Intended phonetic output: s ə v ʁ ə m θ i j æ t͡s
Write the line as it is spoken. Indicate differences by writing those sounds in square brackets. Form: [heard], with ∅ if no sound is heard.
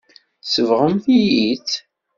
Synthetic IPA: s ə v ʁ ə m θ i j [i] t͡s